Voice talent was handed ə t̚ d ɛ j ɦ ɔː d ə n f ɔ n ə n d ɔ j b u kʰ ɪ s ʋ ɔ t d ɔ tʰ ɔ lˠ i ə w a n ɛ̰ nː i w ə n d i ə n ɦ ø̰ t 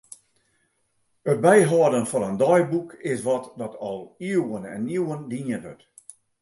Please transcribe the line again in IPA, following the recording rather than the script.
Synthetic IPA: ə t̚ b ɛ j ɦ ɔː d ə n f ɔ n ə n d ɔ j b u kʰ ɪ s ʋ ɔ t d ɔ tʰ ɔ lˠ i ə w ə n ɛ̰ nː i w ə n d i ə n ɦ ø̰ t